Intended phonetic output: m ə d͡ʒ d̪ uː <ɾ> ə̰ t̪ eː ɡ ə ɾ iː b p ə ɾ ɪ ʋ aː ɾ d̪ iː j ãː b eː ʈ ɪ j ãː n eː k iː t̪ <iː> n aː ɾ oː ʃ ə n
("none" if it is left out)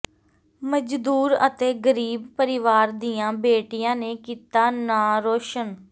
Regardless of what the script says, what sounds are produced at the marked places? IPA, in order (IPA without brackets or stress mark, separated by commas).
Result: ɾ, aː